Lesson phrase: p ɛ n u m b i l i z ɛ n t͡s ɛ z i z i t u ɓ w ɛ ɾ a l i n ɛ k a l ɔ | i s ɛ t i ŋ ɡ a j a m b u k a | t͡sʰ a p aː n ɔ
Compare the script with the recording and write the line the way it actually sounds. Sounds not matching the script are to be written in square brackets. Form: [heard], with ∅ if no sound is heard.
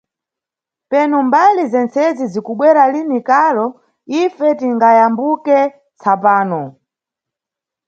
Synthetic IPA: p ɛ n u m b [a] l i z ɛ n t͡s ɛ z i z i [k] u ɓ w ɛ ɾ a l i n [i] k a l ɔ | i [f] ɛ t i ŋ ɡ a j a m b u k [ɛ] | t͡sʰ a p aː n ɔ